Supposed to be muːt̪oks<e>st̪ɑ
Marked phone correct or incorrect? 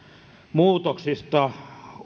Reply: incorrect